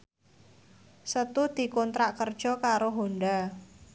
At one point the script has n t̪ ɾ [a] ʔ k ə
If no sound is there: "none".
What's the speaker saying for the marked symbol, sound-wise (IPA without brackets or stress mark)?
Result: a